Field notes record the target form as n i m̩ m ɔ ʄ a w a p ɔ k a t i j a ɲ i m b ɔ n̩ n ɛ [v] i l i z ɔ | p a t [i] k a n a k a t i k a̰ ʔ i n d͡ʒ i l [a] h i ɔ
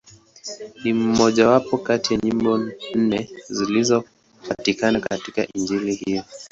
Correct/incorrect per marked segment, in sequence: incorrect, correct, incorrect

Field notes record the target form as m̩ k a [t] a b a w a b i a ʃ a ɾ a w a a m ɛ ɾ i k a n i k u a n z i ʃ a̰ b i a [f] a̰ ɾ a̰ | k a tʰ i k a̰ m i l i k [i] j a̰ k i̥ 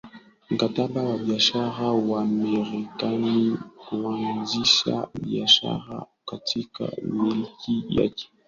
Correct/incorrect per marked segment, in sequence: correct, incorrect, correct

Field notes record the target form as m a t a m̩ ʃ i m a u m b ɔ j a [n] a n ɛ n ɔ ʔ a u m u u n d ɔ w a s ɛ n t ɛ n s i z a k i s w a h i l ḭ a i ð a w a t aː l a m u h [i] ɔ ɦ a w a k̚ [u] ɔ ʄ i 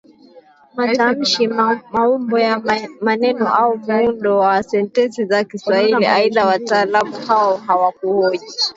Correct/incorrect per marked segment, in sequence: incorrect, incorrect, correct

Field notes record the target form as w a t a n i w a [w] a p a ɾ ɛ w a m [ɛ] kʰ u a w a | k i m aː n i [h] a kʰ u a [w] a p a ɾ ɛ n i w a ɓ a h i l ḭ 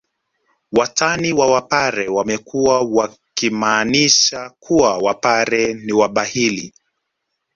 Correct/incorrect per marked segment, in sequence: correct, correct, incorrect, correct

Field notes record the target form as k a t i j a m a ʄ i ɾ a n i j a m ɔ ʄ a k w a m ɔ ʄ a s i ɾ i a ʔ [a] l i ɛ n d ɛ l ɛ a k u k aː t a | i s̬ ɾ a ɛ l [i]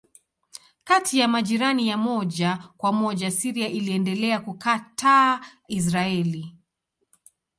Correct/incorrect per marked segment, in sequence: incorrect, correct

